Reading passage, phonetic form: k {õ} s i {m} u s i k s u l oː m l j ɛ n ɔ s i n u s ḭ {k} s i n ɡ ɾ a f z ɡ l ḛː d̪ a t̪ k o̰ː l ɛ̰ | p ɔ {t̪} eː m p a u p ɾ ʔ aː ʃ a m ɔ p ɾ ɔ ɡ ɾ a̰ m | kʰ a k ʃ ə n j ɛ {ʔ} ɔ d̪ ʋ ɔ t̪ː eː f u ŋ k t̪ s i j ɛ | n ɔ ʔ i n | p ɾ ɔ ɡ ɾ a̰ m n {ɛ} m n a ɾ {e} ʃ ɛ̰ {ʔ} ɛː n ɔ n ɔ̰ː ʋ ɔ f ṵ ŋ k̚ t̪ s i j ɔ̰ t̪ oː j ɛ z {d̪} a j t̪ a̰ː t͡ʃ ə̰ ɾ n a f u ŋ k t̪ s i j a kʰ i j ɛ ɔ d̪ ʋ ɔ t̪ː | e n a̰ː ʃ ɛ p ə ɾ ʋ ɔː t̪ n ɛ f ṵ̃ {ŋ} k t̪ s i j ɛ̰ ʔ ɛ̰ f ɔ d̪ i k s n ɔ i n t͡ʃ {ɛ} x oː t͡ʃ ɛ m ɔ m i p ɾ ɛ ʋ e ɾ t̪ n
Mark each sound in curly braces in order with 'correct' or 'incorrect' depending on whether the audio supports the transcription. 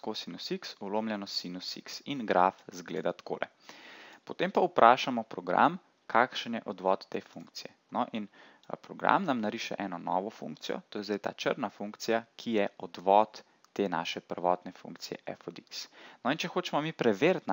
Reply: incorrect: o, incorrect: n, correct, correct, correct, incorrect: a, incorrect: i, correct, correct, correct, correct

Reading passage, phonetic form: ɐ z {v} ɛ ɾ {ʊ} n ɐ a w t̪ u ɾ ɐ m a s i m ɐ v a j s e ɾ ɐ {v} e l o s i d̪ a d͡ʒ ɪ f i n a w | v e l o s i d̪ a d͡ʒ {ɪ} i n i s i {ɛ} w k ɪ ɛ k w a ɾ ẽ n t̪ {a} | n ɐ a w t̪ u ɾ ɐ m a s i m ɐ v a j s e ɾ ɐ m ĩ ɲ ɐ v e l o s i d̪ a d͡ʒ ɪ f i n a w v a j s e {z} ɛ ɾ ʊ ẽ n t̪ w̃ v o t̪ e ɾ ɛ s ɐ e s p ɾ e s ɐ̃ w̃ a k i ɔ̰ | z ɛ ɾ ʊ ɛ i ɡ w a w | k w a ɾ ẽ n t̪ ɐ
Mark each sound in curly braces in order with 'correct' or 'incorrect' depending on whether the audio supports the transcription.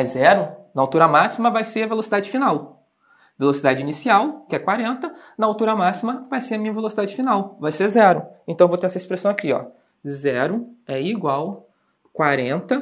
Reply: incorrect: z, correct, correct, correct, incorrect: a, incorrect: ɐ, correct

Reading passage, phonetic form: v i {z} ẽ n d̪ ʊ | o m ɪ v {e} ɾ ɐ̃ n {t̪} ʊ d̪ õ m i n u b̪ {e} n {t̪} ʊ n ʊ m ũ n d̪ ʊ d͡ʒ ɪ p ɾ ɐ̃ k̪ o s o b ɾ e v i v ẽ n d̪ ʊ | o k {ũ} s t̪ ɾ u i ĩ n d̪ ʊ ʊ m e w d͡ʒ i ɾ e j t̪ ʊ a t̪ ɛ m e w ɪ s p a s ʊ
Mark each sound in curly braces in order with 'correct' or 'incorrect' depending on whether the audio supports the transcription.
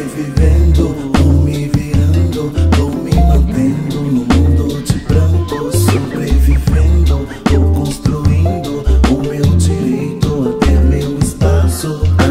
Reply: incorrect: v, incorrect: i, incorrect: d̪, incorrect: ẽ, incorrect: d̪, incorrect: õ

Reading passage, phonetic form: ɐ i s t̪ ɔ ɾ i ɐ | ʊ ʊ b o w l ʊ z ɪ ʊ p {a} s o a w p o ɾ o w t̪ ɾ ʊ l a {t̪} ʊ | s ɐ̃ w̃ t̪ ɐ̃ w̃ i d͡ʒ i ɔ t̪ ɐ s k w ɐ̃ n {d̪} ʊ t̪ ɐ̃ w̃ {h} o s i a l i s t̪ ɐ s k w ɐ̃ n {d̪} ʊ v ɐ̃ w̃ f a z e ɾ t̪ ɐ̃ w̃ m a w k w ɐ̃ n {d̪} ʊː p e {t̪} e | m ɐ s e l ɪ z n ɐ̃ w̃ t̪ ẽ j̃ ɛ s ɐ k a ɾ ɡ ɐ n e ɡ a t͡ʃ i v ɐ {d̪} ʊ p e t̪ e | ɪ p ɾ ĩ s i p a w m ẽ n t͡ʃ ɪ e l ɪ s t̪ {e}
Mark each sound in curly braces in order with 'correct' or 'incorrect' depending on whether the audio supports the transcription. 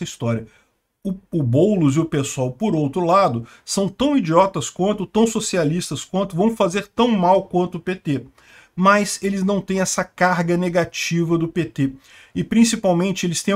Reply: incorrect: e, incorrect: d̪, incorrect: t̪, incorrect: s, incorrect: t̪, incorrect: t̪, correct, correct, incorrect: ẽ

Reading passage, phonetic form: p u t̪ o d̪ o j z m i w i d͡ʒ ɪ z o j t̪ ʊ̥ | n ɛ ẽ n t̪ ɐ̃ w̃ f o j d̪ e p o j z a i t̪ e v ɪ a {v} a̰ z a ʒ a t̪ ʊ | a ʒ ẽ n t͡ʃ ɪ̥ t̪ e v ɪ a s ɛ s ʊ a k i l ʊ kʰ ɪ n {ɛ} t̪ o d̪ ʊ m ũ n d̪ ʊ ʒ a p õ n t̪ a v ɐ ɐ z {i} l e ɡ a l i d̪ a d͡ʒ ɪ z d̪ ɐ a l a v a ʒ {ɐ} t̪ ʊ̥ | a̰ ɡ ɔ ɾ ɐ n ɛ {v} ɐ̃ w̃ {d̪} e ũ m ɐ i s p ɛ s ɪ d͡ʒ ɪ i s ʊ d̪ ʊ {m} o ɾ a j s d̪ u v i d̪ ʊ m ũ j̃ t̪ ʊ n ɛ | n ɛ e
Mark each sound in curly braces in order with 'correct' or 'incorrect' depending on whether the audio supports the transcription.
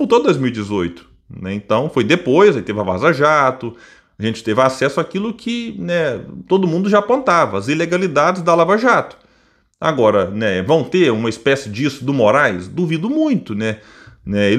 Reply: correct, correct, correct, incorrect: a, correct, incorrect: t̪, correct

